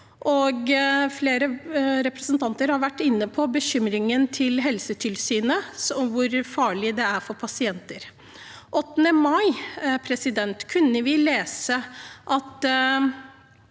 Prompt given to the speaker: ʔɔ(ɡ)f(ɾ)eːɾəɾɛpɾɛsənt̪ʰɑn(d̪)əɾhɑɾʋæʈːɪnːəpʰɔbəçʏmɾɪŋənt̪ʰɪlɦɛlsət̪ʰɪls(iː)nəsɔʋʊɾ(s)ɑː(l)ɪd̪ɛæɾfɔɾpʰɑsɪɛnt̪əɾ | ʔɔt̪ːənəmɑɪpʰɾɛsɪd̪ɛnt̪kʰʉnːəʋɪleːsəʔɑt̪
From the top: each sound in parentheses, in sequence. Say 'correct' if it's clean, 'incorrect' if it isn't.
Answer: correct, incorrect: l, incorrect: t̪, incorrect: yː, incorrect: f, incorrect: ɭ

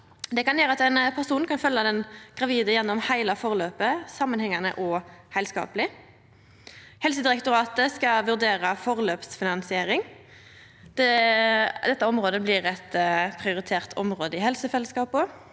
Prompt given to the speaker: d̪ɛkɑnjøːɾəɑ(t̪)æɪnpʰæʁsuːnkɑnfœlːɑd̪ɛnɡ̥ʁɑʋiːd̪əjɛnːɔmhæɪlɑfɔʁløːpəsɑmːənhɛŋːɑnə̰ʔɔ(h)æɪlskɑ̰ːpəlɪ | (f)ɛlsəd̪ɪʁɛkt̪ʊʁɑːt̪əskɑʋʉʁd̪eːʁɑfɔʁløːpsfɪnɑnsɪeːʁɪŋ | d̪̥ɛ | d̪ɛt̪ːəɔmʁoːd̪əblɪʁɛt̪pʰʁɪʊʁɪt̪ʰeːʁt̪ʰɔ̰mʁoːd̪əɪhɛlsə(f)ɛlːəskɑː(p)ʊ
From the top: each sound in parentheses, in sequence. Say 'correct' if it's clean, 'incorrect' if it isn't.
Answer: correct, correct, incorrect: h, correct, correct

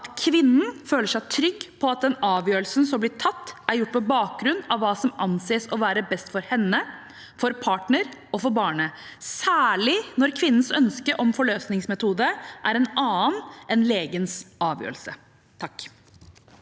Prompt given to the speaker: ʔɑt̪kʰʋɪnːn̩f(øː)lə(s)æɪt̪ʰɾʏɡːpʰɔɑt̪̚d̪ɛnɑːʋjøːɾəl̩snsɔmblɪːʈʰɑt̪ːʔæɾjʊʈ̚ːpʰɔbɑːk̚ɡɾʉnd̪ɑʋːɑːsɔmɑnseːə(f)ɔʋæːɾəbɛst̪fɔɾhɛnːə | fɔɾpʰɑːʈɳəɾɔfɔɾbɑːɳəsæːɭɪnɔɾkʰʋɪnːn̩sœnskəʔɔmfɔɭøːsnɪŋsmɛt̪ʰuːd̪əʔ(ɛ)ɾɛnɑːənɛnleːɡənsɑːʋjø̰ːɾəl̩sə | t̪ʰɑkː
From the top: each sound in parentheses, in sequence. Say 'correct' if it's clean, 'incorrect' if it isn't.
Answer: correct, incorrect: ʂ, incorrect: s, incorrect: æ

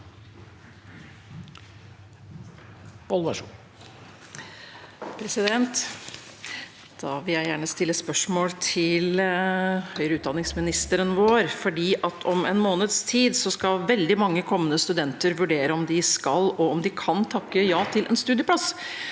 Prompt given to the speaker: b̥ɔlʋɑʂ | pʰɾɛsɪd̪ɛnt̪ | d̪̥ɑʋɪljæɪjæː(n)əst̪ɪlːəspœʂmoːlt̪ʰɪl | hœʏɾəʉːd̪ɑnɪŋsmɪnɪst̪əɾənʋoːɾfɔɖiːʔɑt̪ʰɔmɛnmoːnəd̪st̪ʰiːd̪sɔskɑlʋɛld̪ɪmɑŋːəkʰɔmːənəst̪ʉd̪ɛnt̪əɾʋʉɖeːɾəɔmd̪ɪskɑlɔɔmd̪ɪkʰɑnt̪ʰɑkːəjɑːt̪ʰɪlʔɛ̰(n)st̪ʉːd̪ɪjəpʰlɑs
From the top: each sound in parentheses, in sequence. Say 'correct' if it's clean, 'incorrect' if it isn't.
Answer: incorrect: ɳ, correct

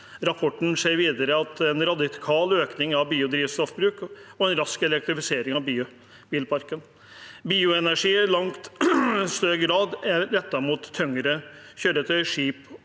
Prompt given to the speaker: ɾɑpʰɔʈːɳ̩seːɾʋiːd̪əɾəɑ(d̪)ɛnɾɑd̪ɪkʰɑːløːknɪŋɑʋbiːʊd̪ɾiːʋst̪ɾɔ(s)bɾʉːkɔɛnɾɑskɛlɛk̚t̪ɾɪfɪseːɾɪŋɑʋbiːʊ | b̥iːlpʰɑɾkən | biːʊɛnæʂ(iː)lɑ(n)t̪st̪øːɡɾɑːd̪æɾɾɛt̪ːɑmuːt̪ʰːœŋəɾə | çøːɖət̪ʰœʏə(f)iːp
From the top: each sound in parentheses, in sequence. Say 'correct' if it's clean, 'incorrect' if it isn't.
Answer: incorrect: t̪, incorrect: f, correct, incorrect: ŋ, incorrect: ʂ

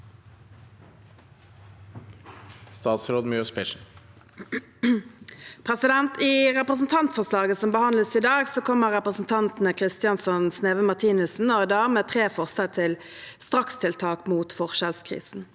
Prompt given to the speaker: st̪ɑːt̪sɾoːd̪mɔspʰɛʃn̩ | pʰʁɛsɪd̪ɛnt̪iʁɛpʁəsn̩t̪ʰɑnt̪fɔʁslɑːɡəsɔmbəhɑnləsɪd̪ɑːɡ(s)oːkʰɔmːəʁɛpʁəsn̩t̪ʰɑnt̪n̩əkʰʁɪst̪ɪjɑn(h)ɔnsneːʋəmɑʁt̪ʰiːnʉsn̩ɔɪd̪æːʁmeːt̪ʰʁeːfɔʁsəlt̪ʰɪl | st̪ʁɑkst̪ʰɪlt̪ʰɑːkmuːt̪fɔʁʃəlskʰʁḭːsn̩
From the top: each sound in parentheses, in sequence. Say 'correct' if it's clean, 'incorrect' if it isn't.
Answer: correct, incorrect: s

